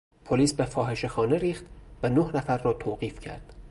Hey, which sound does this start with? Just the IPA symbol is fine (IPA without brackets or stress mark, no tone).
pʰ